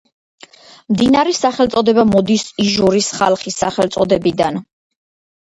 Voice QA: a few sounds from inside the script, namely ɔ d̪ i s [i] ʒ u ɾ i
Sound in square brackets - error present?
no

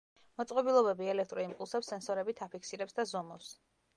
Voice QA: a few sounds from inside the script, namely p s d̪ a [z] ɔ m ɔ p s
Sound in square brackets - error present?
no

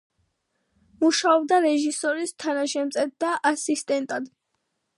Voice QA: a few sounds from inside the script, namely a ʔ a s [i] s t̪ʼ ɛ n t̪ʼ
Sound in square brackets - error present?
no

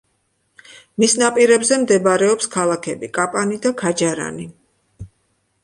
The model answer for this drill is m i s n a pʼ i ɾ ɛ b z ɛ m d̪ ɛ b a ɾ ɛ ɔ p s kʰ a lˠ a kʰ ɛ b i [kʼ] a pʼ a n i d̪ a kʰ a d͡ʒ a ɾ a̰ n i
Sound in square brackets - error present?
no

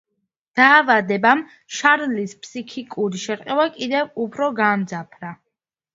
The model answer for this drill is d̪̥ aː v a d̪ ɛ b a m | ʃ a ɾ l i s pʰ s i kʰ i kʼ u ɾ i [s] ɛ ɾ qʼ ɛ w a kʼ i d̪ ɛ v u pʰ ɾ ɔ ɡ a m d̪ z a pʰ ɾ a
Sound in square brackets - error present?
yes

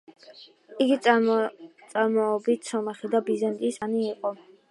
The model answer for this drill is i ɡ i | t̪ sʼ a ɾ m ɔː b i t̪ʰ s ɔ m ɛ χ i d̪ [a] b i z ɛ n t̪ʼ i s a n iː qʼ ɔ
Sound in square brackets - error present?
no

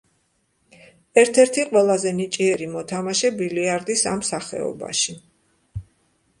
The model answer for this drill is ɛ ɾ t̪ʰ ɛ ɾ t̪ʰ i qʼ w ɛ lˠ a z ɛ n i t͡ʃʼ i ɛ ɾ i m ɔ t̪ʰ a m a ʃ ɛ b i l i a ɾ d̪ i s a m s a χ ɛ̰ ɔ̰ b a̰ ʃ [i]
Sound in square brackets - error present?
no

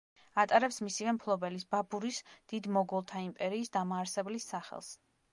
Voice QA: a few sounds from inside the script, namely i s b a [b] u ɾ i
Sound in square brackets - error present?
no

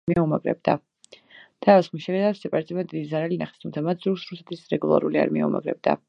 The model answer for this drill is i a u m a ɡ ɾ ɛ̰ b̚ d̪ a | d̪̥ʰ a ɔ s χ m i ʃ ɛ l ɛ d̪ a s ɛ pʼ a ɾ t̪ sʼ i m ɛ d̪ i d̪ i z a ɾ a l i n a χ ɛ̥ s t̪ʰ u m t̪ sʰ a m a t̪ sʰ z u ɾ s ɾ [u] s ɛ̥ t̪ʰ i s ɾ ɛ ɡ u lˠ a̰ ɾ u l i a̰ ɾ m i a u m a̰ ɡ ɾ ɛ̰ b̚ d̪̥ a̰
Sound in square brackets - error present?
no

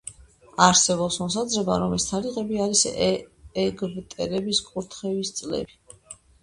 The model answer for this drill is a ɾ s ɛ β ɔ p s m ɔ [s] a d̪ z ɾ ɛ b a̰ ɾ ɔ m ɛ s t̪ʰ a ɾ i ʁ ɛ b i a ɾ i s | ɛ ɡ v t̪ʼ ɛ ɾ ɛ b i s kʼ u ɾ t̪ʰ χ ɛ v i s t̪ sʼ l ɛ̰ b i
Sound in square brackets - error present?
no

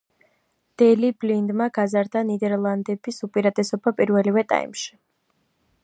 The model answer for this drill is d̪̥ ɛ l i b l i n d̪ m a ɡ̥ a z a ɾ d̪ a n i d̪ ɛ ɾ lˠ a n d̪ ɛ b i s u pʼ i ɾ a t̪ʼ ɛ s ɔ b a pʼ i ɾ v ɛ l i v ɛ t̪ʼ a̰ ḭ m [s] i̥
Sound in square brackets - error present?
yes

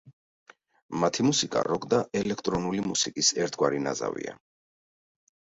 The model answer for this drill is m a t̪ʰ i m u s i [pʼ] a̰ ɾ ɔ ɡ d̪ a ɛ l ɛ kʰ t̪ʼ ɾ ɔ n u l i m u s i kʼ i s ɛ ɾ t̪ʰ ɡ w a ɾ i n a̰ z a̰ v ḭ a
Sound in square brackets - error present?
yes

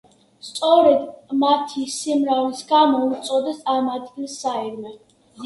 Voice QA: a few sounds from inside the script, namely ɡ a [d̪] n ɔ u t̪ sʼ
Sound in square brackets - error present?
yes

